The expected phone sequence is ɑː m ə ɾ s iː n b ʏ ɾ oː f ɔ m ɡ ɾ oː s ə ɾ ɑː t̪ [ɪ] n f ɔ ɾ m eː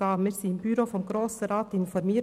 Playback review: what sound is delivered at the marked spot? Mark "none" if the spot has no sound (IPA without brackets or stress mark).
ɪ